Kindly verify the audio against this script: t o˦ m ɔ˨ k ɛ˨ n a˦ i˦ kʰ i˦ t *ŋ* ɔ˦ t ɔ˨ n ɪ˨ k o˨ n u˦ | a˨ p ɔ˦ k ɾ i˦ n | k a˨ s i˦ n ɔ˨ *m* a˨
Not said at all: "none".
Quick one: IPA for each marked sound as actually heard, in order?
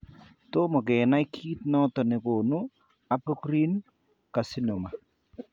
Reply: n, m

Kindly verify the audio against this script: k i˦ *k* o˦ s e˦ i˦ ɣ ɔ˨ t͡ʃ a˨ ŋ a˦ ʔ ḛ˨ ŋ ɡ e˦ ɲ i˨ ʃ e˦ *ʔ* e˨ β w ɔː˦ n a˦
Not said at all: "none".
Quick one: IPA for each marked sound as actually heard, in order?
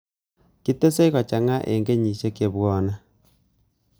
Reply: t, k

